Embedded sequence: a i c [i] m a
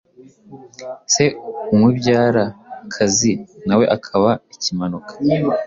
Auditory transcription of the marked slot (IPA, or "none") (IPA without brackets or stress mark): i